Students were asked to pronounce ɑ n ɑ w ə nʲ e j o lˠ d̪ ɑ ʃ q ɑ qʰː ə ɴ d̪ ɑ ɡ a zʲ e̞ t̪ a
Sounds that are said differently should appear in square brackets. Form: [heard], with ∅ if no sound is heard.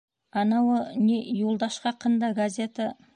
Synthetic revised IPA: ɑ n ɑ w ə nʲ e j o lˠ d̪ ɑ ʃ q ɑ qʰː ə [n] d̪ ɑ ɡ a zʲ e̞ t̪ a